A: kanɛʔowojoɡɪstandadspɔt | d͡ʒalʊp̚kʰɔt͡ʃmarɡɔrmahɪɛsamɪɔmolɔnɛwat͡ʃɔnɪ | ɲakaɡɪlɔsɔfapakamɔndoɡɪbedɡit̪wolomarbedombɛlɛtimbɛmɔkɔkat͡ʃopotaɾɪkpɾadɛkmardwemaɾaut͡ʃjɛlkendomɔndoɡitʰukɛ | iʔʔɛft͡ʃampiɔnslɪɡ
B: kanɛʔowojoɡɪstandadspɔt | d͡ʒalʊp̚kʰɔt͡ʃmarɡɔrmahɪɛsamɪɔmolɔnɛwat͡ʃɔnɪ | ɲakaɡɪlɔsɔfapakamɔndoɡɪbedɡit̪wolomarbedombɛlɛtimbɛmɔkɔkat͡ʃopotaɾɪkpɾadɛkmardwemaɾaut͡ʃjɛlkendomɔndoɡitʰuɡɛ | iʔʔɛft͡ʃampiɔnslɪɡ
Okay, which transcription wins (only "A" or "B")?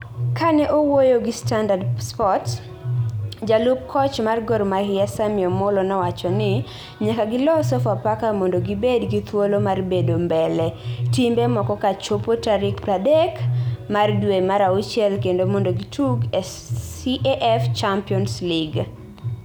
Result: B